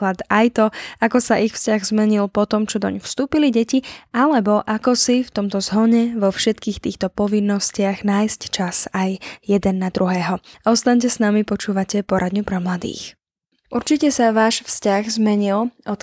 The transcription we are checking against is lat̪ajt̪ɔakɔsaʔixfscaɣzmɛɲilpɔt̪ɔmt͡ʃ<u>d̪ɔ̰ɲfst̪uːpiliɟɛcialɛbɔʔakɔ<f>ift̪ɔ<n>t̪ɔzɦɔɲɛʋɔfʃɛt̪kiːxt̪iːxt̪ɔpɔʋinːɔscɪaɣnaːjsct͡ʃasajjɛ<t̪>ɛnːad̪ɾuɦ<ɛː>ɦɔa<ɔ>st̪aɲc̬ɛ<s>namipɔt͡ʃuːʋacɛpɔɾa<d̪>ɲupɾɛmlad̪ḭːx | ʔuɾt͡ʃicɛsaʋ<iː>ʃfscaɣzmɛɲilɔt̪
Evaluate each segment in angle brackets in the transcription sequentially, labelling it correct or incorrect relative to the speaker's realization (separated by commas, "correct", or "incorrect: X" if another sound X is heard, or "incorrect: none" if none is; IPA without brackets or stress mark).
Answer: incorrect: ɔ, incorrect: s, incorrect: m, incorrect: d̪, correct, correct, correct, correct, incorrect: aː